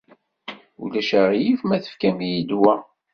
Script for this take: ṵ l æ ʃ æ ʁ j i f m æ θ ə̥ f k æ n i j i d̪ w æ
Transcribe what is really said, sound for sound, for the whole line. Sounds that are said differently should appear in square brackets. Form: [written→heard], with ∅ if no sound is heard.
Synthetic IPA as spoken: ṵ l æ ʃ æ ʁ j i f m æ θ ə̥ f k æ [n→m] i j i d̪ w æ